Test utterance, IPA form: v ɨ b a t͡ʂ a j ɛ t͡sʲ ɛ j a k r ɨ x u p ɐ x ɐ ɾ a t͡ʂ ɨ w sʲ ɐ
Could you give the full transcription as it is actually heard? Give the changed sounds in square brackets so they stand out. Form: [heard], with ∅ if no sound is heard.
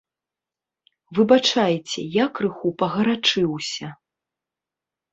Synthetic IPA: v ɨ b a t͡ʂ a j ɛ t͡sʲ ɛ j a k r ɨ x u p ɐ [ɣ] ɐ ɾ a t͡ʂ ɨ w sʲ ɐ

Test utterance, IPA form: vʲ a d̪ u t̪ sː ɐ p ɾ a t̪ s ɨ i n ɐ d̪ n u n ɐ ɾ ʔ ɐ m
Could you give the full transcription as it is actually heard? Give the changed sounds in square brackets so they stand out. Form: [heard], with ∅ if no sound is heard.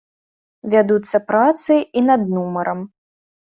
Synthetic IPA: vʲ a d̪ u t̪ sː ɐ p ɾ a t̪ s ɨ i n ɐ d̪ n u [m] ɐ ɾ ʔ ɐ m

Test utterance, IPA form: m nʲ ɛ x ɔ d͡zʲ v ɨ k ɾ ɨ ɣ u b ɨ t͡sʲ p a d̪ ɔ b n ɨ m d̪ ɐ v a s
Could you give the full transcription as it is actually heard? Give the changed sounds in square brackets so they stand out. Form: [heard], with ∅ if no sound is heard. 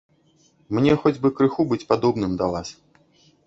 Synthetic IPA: m nʲ ɛ x ɔ d͡zʲ [b] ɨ k ɾ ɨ [x] u b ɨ t͡sʲ p a d̪ ɔ b n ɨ m d̪ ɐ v a s

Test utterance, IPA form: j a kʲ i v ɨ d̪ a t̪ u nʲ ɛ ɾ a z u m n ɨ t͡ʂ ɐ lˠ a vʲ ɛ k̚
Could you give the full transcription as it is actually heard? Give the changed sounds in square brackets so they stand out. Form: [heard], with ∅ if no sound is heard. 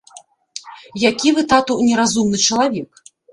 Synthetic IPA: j a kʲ i v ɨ [t̪] a t̪ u nʲ ɛ ɾ a z u m n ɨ t͡ʂ ɐ lˠ a vʲ ɛ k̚

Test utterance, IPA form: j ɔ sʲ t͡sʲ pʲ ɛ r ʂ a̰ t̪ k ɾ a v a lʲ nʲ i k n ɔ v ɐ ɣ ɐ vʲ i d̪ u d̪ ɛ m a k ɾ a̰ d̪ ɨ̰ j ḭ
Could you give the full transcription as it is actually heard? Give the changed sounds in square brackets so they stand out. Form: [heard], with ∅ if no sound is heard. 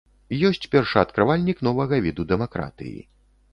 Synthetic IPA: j ɔ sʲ t͡sʲ pʲ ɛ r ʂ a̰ t̪ k ɾ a v a lʲ nʲ i k n ɔ v ɐ ɣ ɐ vʲ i d̪ u d̪ ɛ m a k ɾ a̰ [t̪] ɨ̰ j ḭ

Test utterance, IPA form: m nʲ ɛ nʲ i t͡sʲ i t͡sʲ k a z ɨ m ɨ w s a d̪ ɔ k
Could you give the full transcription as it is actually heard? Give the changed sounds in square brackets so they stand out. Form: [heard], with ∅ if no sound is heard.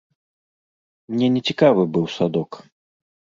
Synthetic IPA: m nʲ ɛ nʲ [ɛ] t͡sʲ i [∅] k a [v] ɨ [b] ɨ w s a d̪ ɔ k

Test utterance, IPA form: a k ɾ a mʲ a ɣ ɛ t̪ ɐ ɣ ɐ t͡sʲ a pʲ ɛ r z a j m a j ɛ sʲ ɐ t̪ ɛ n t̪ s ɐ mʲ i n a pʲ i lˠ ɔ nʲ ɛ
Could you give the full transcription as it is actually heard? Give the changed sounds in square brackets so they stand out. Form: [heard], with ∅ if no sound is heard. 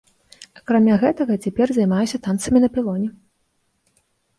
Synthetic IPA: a k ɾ a mʲ a ɣ ɛ t̪ ɐ ɣ ɐ t͡sʲ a pʲ ɛ r z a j m a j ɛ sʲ ɐ t̪ [a] n t̪ s ɐ mʲ i n [ɐ] pʲ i lˠ ɔ nʲ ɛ

